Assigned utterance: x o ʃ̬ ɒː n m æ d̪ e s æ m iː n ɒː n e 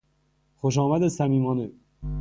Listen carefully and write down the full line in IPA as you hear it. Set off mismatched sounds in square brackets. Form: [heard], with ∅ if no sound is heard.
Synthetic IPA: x o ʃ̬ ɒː [∅] m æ d̪ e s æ m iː [m] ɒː n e